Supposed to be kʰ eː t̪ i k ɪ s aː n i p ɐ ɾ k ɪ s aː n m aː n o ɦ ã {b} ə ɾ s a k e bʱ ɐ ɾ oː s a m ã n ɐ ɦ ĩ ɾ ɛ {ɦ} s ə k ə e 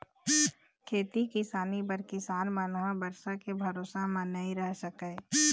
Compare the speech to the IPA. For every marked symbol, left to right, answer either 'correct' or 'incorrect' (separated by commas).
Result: correct, correct